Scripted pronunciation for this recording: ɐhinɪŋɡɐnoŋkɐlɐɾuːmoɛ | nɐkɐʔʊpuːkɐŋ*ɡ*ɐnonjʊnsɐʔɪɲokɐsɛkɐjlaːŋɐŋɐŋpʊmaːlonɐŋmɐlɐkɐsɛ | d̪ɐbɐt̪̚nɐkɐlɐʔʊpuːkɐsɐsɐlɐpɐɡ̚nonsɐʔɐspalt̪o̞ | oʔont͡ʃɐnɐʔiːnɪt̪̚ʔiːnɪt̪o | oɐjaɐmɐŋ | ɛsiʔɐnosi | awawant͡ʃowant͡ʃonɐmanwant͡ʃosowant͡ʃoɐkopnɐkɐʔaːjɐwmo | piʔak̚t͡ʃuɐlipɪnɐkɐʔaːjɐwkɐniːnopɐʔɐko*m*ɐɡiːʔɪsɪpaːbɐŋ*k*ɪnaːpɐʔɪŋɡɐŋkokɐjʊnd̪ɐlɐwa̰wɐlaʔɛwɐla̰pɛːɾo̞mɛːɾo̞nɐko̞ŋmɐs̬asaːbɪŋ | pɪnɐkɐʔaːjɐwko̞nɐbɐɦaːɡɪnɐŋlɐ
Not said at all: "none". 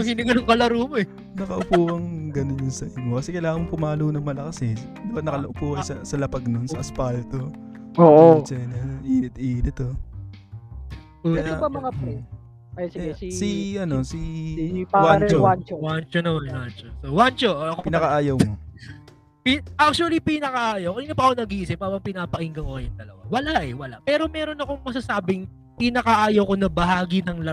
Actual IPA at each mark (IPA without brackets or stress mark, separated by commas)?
ɡ, n, p